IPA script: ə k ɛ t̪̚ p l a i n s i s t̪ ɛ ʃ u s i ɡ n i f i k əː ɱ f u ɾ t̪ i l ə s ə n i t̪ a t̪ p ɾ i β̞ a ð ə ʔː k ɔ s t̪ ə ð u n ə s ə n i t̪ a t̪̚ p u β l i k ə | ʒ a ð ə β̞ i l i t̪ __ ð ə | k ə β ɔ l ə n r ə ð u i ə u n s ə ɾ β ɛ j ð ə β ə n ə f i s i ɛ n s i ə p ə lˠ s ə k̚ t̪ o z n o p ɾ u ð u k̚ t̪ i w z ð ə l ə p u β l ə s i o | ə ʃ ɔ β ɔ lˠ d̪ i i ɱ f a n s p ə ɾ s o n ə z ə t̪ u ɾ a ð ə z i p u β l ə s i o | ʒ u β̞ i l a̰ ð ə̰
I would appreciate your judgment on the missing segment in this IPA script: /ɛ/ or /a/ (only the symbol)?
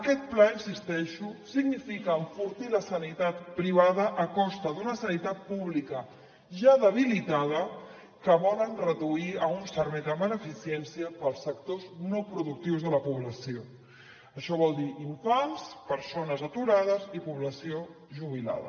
a